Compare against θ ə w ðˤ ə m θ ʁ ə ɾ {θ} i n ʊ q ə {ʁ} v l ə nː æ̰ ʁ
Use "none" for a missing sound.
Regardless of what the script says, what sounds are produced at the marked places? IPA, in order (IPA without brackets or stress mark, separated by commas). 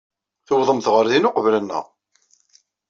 ð, none